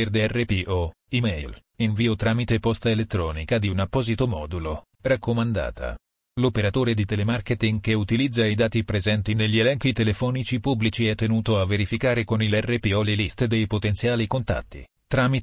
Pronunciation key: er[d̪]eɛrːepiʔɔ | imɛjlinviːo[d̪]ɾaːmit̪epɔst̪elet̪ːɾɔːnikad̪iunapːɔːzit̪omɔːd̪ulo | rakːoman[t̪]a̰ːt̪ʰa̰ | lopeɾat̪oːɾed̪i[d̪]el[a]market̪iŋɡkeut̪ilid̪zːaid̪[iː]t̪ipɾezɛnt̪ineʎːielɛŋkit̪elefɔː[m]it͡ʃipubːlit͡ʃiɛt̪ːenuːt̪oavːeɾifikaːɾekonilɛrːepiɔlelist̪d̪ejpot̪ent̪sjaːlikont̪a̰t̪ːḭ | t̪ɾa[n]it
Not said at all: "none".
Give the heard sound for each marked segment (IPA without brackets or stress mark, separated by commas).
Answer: d̪, t̪, d̪, t̪, e, aː, n, m